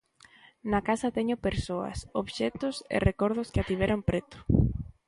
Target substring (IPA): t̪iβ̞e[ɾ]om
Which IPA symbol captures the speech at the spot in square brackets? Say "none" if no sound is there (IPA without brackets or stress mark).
ɾ